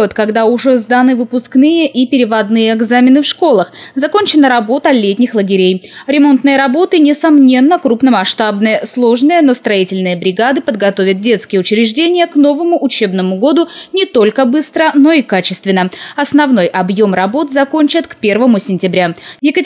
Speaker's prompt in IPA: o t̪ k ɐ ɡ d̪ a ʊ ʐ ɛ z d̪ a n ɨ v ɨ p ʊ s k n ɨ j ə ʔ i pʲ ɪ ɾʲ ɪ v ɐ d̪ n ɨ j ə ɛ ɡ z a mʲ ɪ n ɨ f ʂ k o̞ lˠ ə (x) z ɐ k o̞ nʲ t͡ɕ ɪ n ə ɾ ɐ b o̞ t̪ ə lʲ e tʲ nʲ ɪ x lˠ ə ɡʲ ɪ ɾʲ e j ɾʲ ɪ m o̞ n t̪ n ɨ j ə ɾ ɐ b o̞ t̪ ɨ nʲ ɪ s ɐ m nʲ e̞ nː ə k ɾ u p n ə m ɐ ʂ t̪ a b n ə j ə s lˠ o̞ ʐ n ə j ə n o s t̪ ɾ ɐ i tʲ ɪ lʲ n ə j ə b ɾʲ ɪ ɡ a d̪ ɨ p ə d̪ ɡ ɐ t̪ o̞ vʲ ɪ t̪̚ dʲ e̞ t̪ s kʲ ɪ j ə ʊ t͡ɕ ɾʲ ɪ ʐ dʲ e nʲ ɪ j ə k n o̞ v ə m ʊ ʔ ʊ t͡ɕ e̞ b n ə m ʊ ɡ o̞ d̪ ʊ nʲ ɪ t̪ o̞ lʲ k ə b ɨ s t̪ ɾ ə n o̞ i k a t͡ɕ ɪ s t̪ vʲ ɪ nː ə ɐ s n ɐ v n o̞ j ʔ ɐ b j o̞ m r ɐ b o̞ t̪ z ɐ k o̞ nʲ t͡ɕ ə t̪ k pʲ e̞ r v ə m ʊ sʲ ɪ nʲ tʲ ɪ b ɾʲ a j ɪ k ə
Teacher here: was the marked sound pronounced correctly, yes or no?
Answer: yes